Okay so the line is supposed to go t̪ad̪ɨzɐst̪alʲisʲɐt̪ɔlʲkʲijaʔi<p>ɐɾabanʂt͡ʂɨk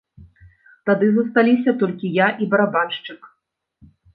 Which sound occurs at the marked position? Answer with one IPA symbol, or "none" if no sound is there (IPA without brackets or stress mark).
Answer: b